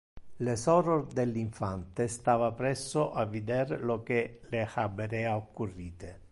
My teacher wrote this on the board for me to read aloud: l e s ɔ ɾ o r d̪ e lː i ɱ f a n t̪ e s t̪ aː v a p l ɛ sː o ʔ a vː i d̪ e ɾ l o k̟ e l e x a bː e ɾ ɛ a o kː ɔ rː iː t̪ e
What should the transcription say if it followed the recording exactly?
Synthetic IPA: l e s ɔ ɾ o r d̪ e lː i ɱ f a n t̪ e s t̪ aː v a p ɾ ɛ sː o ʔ a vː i d̪ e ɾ l o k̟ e l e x a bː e ɾ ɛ a o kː u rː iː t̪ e

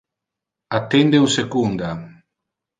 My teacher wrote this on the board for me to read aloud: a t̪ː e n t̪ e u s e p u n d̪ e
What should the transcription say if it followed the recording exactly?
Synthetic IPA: a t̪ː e n d̪ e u s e k u n d̪ a

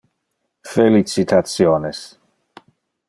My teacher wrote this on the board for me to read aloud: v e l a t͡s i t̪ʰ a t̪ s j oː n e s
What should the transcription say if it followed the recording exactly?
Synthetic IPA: f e l i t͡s i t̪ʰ a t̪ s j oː n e s

